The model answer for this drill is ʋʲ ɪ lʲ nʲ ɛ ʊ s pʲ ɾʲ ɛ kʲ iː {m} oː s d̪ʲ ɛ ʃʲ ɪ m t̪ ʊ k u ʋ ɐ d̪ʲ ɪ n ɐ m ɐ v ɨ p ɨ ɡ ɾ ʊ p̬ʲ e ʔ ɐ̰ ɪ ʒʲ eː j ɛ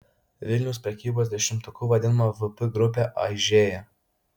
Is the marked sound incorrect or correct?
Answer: incorrect